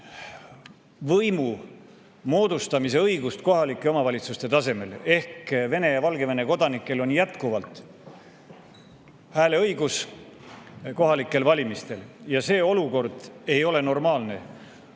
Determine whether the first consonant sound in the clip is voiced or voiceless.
voiced